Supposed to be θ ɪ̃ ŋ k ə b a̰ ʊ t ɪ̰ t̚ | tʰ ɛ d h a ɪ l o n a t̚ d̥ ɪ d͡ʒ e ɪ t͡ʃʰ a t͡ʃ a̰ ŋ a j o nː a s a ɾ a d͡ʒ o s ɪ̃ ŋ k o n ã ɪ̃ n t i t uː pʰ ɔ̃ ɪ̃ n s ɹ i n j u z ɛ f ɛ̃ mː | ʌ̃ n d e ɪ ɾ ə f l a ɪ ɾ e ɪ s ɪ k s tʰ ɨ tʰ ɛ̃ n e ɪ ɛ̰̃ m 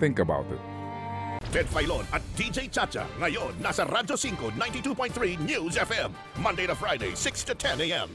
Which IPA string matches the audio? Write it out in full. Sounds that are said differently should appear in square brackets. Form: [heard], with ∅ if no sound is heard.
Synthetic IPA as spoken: θ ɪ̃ ŋ k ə b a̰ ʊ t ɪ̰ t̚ | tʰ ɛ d [f] a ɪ l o n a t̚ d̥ [i] d͡ʒ e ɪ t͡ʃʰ a t͡ʃ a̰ ŋ a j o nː a s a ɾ a d͡ʒ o s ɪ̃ ŋ k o n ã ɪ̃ n t i t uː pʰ ɔ̃ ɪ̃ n [θ] ɹ i n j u z ɛ f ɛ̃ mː | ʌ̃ n d e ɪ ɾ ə f [ɹ] a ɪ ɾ e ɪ s ɪ k s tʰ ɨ tʰ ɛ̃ n e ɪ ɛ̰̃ m